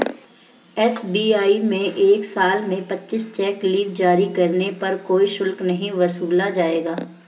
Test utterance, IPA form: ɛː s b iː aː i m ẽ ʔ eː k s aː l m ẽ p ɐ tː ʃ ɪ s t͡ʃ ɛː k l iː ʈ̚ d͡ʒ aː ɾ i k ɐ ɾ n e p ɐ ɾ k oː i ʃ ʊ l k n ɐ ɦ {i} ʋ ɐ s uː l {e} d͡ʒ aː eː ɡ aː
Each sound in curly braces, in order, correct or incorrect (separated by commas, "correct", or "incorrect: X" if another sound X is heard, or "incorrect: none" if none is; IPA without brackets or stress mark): incorrect: ĩ, incorrect: a